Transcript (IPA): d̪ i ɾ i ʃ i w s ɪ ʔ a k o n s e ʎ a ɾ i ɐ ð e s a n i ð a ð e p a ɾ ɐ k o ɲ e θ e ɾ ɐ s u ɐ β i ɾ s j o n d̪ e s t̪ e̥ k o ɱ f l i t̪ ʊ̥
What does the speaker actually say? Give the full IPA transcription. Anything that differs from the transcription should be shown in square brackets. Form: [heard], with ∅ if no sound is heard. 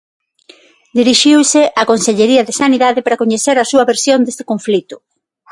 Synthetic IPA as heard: d̪ i ɾ i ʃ i w s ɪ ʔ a k o n s e ʎ [e] ɾ i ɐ ð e s a n i ð a ð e p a ɾ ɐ k o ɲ e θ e ɾ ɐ s u ɐ β [e] ɾ s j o n d̪ e s t̪ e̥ k o ɱ f l i t̪ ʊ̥

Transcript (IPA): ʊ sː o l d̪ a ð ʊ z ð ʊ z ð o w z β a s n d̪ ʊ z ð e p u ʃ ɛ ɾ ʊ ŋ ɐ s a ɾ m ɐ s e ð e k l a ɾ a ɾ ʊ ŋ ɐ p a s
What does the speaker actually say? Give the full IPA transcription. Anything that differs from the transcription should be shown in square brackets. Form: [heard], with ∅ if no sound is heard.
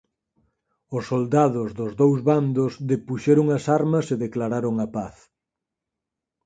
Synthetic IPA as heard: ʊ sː o l d̪ a ð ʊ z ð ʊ z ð o w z β a [∅] n d̪ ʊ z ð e p u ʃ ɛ ɾ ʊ ŋ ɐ s a ɾ m ɐ s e ð e k l a ɾ a ɾ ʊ ŋ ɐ p a [θ]

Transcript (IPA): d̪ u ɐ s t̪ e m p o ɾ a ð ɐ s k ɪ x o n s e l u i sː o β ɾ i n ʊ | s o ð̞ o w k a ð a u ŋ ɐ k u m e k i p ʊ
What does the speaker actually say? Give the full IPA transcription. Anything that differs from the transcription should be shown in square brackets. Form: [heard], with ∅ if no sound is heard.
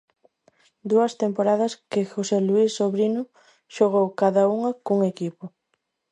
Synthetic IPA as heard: d̪ u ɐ s t̪ e m p o ɾ a ð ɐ s k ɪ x o [∅] s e l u i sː o β ɾ i n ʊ | [ʃ] o [ɣ̞] o w k a ð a u ŋ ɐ k u [ŋ] e k i p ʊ

